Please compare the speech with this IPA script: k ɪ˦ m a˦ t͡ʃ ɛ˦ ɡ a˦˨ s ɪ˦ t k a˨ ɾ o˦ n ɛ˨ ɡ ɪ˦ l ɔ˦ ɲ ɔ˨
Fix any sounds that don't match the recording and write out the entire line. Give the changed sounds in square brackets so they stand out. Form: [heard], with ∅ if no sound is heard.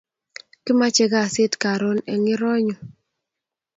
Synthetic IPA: k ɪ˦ m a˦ t͡ʃ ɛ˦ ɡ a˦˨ s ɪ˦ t k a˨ ɾ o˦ n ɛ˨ [ŋ] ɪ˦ [ɾ] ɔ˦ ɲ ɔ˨